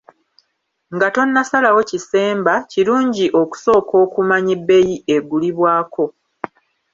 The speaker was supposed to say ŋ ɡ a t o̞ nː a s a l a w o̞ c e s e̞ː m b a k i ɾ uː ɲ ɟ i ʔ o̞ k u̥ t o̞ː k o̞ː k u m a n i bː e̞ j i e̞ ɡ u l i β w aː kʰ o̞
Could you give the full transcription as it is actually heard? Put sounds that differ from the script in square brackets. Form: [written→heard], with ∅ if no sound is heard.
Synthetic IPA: ŋ ɡ a t o̞ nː a s a l a w o̞ c [e→i] s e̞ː m b a [k→c] i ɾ uː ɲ ɟ i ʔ o̞ k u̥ [t→s] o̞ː k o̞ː k u m a [n→ɲ] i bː e̞ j i e̞ ɡ u l i β w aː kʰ o̞